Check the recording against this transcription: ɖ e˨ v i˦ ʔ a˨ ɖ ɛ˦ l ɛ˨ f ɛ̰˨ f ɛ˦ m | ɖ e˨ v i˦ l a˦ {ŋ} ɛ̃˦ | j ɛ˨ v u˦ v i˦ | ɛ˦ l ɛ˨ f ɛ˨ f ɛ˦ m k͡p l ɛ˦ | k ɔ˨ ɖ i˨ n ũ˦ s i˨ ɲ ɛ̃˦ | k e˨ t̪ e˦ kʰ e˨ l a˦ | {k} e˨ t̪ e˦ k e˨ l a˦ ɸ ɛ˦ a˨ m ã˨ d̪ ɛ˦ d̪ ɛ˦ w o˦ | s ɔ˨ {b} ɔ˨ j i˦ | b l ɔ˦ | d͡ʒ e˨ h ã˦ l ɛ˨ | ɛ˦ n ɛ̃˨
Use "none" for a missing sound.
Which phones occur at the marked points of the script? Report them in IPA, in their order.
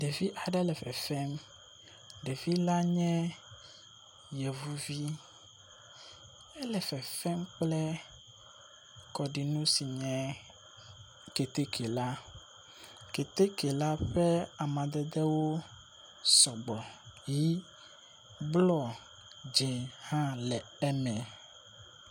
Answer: ɲ, k, ɡ͡b

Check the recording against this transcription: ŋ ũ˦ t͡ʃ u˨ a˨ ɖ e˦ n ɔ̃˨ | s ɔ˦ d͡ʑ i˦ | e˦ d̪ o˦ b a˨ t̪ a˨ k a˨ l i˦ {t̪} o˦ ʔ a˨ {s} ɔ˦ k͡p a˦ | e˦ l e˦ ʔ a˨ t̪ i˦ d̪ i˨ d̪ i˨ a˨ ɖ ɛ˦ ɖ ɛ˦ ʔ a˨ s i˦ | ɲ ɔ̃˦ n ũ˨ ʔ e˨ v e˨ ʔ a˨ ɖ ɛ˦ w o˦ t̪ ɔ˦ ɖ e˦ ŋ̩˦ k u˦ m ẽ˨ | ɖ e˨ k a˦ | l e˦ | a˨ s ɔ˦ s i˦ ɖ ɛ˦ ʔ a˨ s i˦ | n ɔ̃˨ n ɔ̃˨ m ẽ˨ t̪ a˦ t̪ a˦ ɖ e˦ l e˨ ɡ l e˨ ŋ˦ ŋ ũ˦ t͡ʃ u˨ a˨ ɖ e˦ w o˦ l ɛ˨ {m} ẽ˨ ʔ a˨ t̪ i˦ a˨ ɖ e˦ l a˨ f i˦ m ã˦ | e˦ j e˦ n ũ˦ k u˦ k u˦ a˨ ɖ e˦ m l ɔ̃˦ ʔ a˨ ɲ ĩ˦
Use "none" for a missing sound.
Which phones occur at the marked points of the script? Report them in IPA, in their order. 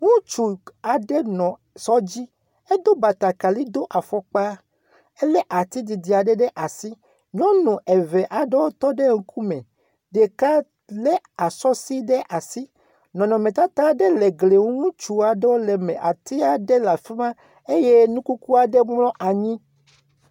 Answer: d̪, f, m

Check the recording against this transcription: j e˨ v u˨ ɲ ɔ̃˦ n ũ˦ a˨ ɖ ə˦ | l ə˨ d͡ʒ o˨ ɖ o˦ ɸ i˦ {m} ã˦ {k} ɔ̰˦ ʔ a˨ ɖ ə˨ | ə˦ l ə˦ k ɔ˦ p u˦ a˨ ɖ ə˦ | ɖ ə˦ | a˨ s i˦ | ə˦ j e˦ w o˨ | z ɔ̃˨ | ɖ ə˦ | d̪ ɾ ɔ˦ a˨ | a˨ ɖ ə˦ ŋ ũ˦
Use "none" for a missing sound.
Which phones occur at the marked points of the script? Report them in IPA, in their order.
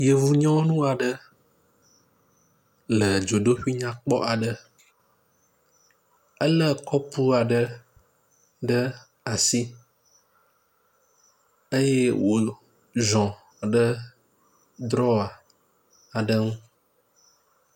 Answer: ɲ, k͡p

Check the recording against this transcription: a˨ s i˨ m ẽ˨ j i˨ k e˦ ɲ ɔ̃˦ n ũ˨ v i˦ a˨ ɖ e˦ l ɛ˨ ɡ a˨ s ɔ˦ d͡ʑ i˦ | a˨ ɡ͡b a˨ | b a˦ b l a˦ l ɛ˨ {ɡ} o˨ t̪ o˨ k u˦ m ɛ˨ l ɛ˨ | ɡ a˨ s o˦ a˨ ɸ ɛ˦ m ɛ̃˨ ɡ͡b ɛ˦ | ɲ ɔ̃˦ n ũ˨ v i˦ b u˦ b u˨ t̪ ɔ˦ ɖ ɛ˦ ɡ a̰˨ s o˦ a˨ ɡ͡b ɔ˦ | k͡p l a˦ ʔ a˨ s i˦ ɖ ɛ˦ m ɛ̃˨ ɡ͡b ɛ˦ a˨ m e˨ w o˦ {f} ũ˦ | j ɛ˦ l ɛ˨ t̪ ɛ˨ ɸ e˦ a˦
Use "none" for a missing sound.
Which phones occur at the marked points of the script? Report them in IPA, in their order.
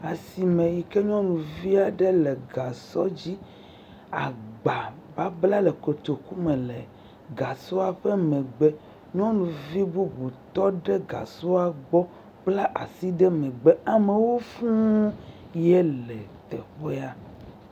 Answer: k, f

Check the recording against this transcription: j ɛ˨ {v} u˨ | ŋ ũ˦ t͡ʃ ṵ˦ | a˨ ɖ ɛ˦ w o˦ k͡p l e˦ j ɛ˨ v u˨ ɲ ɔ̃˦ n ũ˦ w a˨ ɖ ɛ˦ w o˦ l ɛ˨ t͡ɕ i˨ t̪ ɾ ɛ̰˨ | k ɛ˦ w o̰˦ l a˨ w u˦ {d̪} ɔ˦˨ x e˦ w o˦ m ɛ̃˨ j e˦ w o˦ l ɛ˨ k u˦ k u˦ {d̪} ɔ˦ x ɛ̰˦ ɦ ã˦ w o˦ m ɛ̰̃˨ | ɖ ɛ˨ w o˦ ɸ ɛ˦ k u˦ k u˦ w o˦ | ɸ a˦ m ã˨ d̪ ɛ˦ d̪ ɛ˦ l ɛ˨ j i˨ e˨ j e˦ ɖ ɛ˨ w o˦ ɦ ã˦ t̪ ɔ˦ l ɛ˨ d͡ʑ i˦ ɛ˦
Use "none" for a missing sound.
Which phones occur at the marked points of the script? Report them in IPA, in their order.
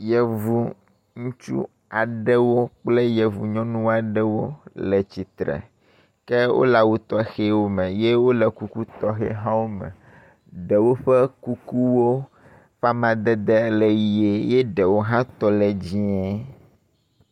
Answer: v, t̪, t̪

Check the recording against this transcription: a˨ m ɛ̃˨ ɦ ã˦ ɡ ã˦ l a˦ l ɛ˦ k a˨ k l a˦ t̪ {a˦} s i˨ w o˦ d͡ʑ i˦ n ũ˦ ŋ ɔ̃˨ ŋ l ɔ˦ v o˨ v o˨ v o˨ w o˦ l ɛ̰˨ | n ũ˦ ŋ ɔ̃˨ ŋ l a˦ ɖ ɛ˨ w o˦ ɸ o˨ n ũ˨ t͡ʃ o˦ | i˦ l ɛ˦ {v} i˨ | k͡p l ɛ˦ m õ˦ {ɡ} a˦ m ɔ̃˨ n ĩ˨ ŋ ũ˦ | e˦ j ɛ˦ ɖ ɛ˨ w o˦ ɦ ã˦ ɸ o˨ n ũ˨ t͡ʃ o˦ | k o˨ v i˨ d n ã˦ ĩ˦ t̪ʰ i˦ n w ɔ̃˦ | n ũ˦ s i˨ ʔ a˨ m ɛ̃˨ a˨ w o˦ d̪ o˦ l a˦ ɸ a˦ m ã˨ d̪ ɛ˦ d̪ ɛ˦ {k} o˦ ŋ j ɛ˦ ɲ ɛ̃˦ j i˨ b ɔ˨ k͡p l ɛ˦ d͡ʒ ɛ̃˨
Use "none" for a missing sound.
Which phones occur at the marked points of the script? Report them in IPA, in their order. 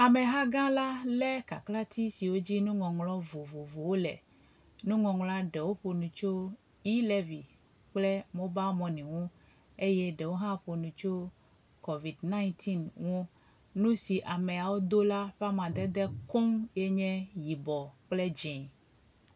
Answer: i˦, v, b, k

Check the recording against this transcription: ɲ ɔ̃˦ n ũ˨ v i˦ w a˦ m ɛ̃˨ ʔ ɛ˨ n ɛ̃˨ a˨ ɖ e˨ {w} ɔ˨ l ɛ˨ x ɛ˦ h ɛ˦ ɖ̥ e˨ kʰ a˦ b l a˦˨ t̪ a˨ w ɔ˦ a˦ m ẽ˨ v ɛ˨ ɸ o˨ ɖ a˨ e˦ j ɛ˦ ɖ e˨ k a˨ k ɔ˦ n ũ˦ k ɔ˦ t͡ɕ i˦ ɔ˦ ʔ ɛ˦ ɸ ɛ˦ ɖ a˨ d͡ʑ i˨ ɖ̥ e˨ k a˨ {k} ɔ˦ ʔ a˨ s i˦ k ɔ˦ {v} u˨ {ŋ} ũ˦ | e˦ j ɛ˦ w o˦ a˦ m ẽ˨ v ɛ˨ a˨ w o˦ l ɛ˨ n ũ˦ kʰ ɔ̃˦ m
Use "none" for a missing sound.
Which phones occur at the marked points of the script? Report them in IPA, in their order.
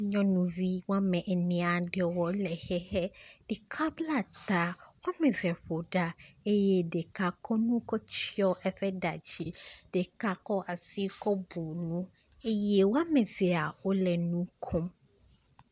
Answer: w, k, b, n

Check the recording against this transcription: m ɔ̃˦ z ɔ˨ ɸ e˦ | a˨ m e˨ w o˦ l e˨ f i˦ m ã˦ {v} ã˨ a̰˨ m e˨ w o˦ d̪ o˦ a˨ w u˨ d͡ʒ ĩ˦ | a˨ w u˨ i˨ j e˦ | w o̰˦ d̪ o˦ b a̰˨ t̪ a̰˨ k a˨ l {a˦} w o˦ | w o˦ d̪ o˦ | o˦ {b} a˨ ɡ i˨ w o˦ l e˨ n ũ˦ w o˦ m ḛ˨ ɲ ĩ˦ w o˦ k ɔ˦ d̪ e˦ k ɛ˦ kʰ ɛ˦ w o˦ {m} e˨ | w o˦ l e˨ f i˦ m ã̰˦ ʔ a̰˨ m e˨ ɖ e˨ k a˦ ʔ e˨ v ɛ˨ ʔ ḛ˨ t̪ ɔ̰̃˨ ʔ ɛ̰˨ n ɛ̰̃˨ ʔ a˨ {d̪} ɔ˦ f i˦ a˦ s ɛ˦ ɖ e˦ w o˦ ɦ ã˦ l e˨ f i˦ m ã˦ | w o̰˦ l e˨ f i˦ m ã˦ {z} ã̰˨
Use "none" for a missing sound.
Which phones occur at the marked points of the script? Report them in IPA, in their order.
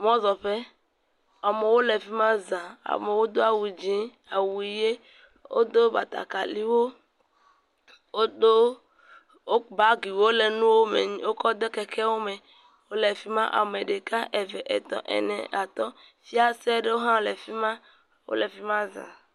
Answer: z, i˦, b, m, t̪, z

